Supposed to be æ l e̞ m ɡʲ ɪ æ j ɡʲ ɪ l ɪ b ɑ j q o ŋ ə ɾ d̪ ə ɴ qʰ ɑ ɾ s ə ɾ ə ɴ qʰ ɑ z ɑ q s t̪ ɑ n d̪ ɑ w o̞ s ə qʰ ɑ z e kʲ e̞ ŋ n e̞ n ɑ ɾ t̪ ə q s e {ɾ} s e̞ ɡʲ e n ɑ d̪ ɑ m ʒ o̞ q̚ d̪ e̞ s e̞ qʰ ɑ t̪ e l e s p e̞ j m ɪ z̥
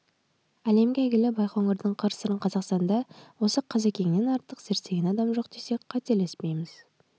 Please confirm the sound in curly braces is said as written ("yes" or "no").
yes